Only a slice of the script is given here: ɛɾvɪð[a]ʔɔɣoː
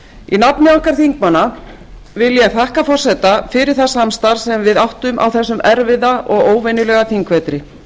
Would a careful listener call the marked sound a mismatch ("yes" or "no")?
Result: no